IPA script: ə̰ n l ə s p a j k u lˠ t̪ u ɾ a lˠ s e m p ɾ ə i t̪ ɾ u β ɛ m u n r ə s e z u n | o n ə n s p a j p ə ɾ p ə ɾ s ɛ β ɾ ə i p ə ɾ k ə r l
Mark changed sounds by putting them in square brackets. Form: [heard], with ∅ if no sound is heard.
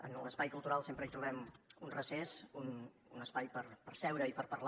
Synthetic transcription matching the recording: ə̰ n l ə s p a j k u lˠ t̪ u ɾ a lˠ s e m p ɾ ə i t̪ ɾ u β ɛ m u n r ə s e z u n | [u] n ə [∅] s p a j p ə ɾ p ə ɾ s ɛ [w] ɾ ə i p ə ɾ [p] ə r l